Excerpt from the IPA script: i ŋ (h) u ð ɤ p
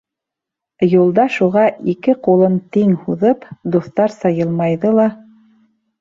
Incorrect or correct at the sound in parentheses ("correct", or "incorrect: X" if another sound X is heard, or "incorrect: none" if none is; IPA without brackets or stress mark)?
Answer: correct